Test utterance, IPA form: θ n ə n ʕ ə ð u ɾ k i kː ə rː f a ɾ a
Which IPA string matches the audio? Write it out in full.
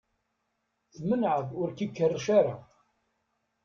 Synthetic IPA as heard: θ m ə n ʕ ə ð ʊ ɾ k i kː ə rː ʃ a ɾ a